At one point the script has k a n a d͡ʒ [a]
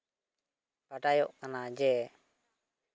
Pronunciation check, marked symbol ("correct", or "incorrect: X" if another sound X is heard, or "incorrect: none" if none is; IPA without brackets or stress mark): incorrect: ɛ